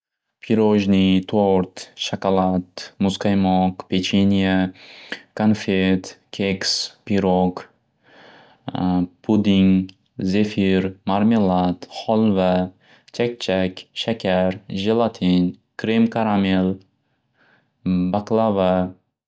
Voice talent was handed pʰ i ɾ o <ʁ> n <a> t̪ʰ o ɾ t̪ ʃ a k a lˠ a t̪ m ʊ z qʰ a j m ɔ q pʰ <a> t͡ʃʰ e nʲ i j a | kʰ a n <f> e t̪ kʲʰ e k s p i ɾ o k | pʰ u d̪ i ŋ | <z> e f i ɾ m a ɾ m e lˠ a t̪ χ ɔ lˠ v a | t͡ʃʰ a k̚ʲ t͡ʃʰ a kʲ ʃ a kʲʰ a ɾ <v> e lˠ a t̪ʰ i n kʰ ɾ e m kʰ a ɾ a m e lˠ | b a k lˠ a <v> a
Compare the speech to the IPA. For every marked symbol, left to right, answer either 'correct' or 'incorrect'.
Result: incorrect, incorrect, incorrect, correct, correct, incorrect, correct

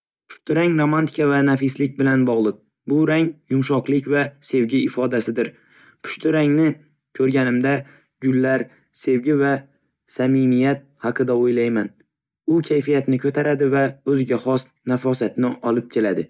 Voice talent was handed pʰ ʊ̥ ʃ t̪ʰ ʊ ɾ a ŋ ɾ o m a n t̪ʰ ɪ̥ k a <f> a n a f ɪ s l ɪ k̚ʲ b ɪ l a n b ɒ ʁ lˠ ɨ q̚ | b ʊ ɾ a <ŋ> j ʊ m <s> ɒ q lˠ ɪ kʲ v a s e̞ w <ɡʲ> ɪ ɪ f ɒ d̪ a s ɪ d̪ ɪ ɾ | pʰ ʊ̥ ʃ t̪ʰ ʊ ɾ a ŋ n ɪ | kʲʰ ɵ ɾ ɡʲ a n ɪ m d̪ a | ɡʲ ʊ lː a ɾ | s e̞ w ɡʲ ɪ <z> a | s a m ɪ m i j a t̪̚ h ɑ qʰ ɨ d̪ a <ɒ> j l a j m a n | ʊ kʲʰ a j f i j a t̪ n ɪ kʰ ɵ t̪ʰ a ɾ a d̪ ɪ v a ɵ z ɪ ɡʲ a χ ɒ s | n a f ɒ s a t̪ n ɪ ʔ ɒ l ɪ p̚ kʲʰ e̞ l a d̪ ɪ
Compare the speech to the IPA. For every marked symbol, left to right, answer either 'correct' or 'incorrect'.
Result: incorrect, correct, incorrect, correct, incorrect, incorrect

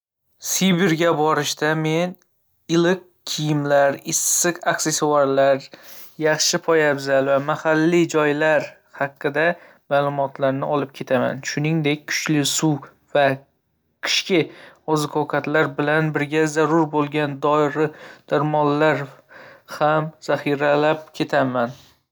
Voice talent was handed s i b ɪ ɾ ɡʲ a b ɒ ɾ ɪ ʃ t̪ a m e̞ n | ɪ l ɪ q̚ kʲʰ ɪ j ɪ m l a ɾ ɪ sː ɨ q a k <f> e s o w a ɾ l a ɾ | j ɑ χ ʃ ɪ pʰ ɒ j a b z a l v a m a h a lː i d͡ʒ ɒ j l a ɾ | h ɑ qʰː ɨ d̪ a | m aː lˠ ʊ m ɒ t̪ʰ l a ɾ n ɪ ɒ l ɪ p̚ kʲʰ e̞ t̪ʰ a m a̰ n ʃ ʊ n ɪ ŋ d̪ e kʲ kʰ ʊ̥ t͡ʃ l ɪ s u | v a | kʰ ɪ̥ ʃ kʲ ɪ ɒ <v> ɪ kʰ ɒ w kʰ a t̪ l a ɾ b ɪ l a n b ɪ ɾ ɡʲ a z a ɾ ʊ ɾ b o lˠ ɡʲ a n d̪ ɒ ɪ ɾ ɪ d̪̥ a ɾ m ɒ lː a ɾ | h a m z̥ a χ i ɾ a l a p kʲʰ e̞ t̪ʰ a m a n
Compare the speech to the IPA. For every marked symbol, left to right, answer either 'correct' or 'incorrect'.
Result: incorrect, incorrect

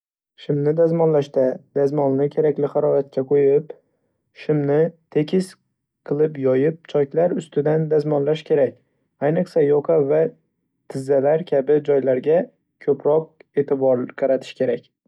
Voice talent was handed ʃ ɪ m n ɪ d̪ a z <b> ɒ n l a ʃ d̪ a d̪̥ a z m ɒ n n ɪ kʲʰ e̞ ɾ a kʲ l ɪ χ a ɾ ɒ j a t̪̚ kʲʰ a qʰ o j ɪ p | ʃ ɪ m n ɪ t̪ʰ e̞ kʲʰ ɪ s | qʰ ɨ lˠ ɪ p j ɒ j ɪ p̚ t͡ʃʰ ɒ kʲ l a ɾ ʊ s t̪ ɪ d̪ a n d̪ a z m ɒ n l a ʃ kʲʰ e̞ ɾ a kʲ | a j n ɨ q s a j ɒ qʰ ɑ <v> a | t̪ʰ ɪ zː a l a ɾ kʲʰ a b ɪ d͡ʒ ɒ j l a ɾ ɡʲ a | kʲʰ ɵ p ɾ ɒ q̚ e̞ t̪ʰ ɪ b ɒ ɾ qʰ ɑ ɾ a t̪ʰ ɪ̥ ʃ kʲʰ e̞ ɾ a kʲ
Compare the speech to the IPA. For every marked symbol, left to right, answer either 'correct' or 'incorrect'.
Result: incorrect, correct

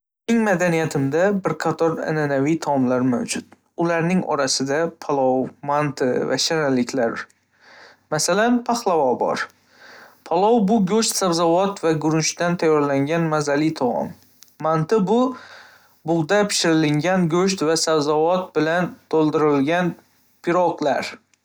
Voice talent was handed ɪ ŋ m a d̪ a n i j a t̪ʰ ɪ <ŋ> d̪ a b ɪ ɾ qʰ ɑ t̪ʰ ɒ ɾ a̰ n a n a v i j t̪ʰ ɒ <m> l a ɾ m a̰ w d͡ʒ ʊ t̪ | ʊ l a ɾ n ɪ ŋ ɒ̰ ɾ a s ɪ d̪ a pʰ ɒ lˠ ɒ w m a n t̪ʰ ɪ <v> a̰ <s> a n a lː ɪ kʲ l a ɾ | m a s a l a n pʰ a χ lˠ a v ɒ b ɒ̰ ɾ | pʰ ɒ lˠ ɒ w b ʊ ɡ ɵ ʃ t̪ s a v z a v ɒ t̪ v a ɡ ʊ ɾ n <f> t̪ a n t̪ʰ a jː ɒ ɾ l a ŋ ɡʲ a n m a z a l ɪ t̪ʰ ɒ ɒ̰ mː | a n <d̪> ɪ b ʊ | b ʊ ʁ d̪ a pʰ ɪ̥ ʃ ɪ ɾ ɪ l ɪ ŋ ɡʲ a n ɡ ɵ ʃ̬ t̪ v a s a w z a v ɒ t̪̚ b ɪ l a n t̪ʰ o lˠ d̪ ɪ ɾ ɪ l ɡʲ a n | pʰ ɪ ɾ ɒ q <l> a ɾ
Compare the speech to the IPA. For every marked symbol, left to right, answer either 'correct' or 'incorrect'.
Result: incorrect, correct, correct, incorrect, incorrect, incorrect, correct

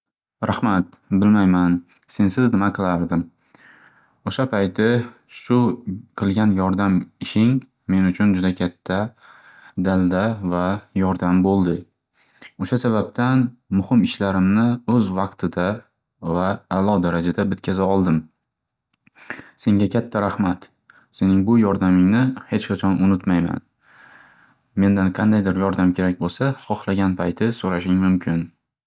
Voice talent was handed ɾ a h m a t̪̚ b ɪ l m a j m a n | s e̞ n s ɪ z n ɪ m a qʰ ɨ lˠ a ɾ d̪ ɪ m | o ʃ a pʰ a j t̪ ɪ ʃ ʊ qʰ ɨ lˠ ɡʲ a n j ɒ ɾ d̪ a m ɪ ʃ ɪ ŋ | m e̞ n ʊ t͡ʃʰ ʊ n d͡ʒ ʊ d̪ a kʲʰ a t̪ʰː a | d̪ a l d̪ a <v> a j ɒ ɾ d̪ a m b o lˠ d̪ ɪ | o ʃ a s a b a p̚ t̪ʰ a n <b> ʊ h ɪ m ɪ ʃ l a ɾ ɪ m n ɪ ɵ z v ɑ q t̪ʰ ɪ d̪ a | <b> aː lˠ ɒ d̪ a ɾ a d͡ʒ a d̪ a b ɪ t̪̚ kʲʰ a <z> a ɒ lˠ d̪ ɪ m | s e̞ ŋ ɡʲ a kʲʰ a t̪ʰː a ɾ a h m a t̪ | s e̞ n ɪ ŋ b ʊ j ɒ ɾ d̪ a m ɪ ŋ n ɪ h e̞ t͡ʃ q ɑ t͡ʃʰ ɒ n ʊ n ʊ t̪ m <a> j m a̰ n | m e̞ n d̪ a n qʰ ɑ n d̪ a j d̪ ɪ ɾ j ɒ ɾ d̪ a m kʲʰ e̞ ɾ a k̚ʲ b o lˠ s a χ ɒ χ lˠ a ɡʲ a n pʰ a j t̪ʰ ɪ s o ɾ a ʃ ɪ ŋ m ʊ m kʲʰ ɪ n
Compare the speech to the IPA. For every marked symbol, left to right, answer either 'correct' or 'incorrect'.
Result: correct, incorrect, incorrect, correct, correct

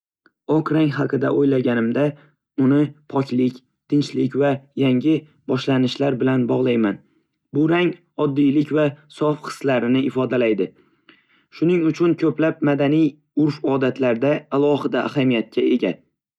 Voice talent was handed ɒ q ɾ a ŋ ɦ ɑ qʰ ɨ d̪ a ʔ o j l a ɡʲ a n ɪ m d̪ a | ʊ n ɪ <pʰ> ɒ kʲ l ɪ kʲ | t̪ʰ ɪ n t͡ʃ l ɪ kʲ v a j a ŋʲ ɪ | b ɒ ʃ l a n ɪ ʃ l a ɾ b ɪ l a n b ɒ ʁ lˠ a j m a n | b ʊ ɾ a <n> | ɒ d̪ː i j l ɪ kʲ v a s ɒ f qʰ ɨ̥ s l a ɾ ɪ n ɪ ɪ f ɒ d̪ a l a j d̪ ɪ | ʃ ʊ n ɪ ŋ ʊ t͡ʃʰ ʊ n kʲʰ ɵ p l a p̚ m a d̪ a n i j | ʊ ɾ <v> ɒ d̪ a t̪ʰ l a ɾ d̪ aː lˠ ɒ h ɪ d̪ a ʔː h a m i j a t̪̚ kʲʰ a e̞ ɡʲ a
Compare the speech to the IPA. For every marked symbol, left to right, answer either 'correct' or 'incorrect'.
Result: correct, incorrect, incorrect

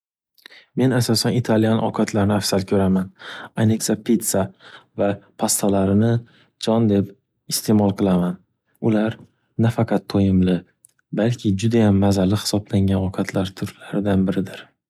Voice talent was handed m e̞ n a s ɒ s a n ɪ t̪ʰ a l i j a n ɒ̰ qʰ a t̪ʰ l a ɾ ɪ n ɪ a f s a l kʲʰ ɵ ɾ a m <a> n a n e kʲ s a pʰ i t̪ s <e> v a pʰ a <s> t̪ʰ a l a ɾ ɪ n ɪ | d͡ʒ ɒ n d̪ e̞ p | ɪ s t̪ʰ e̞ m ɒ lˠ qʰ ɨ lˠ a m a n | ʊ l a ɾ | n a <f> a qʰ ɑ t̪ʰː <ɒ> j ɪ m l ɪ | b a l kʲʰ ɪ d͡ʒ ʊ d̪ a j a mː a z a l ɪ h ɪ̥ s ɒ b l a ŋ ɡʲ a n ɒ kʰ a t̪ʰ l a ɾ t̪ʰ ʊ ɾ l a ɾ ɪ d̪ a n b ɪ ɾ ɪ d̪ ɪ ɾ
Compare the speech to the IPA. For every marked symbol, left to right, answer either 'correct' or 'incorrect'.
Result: correct, incorrect, correct, correct, incorrect

